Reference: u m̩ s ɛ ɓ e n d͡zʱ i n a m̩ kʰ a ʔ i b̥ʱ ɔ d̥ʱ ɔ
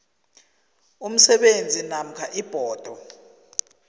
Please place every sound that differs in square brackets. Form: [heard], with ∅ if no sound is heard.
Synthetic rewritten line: u m̩ s ɛ ɓ e n d͡zʱ i n a m̩ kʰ a ʔ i b̥ʱ [ɔː] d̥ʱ ɔ